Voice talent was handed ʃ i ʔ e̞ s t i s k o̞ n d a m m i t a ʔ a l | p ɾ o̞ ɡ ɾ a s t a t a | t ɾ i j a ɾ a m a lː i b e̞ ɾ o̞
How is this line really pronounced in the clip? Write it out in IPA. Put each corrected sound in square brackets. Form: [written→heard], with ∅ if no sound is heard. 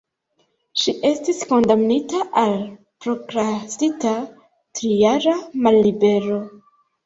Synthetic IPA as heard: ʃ i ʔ e̞ s t i s k o̞ n d a m [m→n] i t a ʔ a l | p ɾ o̞ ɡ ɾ a s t [a→i] t a | t ɾ i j a ɾ a m a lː i b e̞ ɾ o̞